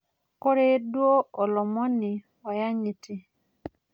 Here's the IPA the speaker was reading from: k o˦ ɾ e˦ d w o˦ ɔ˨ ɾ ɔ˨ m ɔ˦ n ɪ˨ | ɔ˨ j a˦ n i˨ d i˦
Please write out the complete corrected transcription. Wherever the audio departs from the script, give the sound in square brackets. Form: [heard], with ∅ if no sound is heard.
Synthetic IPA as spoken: k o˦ ɾ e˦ d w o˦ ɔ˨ [l] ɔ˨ m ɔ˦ n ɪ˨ | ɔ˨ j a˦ [ɲ] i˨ [t] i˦